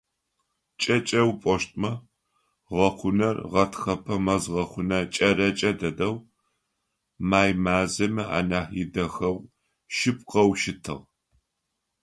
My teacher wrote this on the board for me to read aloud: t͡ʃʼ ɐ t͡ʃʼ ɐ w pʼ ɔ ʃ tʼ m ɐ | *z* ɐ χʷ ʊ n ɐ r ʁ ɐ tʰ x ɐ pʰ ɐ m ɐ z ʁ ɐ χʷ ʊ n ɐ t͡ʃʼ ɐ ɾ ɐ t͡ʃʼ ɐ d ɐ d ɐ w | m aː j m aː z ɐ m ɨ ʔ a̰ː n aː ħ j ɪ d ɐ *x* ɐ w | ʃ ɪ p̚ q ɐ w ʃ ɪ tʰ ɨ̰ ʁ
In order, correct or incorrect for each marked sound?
incorrect, correct

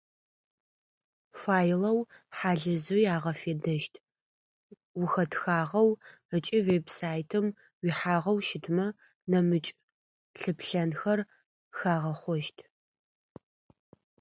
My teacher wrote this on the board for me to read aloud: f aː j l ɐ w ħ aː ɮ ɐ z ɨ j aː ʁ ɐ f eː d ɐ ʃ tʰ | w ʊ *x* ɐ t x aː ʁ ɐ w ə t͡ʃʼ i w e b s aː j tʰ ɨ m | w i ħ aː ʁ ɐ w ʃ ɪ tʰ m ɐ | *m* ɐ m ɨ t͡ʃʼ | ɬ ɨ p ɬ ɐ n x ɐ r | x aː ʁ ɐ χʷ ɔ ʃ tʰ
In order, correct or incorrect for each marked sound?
correct, incorrect

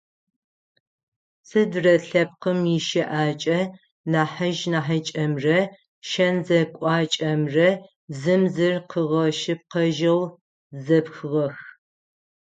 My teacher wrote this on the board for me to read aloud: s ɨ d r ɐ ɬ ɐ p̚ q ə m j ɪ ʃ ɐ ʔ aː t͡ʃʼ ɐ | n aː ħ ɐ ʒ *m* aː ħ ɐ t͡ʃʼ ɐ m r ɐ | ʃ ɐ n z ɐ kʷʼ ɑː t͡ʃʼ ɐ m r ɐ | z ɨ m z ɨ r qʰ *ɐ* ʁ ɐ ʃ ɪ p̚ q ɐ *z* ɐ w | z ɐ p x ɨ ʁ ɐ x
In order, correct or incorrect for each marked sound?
incorrect, incorrect, incorrect

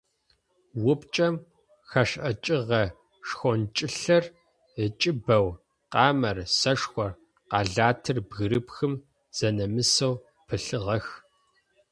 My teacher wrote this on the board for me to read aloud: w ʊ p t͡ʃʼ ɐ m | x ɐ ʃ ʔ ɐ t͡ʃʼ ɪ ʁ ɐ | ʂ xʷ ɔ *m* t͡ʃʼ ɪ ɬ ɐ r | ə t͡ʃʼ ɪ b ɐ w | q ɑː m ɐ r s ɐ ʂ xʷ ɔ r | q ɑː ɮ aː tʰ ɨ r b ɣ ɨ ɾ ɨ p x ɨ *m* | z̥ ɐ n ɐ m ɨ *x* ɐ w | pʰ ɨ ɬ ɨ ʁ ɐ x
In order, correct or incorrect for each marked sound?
incorrect, correct, incorrect

